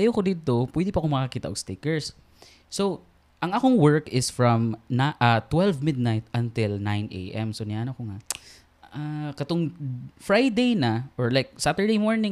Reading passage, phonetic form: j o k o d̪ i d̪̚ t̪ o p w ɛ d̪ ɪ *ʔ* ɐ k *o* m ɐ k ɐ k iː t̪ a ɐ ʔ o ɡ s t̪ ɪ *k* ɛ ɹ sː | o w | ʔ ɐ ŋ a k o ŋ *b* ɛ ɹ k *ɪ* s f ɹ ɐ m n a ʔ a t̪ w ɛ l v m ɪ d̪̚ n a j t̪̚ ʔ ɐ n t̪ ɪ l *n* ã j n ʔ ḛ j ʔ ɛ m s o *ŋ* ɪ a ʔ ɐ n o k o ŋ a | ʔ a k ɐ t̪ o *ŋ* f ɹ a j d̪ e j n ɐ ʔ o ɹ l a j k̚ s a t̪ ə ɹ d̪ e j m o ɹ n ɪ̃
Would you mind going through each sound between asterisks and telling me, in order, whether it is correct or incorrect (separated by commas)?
incorrect, correct, correct, incorrect, correct, correct, incorrect, correct